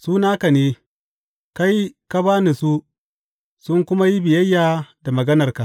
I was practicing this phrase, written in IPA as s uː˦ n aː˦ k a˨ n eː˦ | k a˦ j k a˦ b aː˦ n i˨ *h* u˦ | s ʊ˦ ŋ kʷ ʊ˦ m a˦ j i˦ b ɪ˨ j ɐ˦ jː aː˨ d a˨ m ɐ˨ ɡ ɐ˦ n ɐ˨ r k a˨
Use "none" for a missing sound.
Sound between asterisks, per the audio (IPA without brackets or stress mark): s